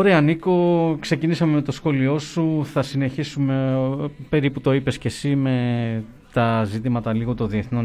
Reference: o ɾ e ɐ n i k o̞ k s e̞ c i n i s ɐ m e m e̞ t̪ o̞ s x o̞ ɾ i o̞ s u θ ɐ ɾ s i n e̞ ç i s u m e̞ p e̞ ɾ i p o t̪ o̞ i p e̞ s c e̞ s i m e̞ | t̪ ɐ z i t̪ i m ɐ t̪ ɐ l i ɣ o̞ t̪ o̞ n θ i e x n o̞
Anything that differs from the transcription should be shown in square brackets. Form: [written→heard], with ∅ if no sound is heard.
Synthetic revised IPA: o ɾ e ɐ n i k o̞ k s e̞ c i n i s ɐ m e m e̞ t̪ o̞ s x o̞ [ɾ→l] i o̞ s u θ ɐ [ɾ→∅] s i n e̞ ç i s u m e̞ p e̞ ɾ i p [o→u] t̪ o̞ i p e̞ s c e̞ s i m e̞ | t̪ ɐ z i t̪ i m ɐ t̪ ɐ l i ɣ o̞ t̪ o̞ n [θ→ð] i e [x→θ] n o̞